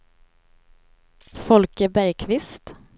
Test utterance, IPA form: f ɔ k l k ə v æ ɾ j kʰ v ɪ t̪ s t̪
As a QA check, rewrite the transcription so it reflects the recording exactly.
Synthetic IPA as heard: f ɔ l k ə b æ ɾ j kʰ v ɪ s t̪